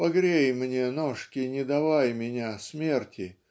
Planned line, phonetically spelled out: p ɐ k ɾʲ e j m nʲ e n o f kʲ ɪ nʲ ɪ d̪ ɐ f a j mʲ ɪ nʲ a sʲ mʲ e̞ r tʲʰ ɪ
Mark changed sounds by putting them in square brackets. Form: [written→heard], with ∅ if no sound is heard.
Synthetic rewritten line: p ɐ [k→ɡ] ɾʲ e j m nʲ e n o [f→ʂ] kʲ ɪ nʲ ɪ d̪ ɐ [f→v] a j mʲ ɪ nʲ a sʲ mʲ e̞ r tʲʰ ɪ